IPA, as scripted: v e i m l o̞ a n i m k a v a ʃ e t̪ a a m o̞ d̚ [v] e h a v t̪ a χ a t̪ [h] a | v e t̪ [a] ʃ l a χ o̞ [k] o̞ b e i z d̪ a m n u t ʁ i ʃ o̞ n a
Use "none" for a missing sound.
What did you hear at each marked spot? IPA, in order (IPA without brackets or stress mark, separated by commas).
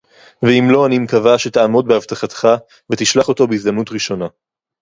b, χ, i, t